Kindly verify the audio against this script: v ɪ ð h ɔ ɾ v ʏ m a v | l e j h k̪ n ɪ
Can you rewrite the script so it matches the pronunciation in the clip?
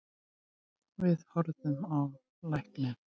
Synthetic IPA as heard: v ɪ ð h ɔ ɾ ð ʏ m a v | l a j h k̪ n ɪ

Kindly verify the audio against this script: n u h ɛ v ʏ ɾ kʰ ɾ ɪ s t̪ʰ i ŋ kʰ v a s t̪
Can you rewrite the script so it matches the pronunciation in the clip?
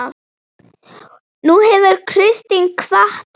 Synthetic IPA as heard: n u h ɛ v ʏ ɾ kʰ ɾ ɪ s t̪ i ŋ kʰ v a h t̪

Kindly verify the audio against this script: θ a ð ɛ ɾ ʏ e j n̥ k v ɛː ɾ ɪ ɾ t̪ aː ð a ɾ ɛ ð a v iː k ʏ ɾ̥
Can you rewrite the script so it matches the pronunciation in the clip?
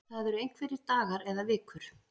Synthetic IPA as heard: θ a ð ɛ ɾ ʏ e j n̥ k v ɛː ɾ ɪ ɾ t̪ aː ɣ a ɾ ɛ ð a v ɪː k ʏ ɾ̥

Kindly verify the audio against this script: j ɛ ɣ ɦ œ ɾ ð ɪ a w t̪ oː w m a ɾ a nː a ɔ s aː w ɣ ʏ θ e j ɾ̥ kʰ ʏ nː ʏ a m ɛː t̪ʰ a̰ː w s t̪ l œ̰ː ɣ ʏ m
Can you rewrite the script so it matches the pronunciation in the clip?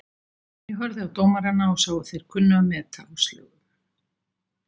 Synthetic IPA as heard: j ɛ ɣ ɦ œ ɾ ð ɪ a w t̪ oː w m a ɾ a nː a ɔ s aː w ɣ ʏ θ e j ɾ̥ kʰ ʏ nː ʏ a m ɛː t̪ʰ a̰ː w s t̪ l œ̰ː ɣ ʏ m

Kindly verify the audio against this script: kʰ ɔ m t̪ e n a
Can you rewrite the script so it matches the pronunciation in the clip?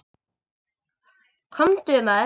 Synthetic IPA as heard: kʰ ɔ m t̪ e m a

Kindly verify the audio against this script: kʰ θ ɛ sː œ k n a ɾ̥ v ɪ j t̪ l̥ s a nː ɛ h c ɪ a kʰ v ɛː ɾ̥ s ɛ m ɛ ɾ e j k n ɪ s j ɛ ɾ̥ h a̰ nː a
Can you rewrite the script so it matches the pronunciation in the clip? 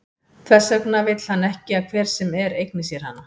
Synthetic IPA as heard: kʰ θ ɛ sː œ k n a v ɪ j t̪ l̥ h a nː ɛ h c ɪ a kʰ v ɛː ɾ̥ s ɛ m ɛ ɾ e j k n ɪ s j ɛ ɾ̥ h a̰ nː a

